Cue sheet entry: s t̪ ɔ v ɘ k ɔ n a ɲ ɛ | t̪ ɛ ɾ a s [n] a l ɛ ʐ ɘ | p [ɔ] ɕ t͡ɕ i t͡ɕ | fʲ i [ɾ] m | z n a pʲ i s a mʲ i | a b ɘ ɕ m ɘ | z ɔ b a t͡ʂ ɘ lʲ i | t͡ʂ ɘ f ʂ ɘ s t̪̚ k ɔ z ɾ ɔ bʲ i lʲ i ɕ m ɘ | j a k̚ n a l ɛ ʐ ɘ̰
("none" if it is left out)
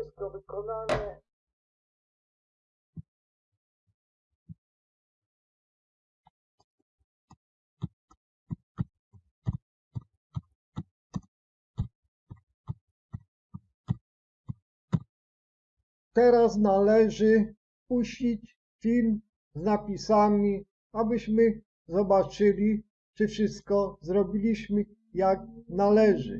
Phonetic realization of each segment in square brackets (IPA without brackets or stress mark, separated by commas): n, u, l